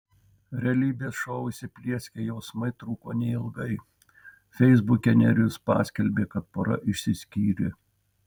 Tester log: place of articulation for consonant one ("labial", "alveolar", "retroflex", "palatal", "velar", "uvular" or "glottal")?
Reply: alveolar